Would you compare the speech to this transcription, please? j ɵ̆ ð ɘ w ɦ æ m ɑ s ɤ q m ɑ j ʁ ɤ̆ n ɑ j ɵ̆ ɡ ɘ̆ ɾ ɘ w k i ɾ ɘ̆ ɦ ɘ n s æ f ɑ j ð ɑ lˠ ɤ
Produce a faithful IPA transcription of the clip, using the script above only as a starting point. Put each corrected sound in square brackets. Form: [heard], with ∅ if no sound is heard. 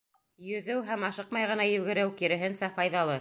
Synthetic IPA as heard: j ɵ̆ ð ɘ w ɦ æ m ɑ [ʃ] ɤ q m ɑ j ʁ ɤ̆ n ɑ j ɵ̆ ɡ ɘ̆ ɾ ɘ w k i ɾ ɘ̆ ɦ ɘ n s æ f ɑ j ð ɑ lˠ ɤ